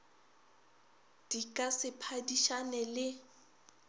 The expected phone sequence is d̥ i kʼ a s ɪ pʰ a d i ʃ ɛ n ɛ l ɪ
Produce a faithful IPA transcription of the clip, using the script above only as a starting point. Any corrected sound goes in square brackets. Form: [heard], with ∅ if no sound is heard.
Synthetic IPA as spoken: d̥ i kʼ a s ɪ pʰ a d i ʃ [a] n ɛ l ɪ